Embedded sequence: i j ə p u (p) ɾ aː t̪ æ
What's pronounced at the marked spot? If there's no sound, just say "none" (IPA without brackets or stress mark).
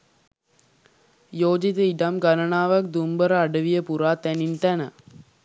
none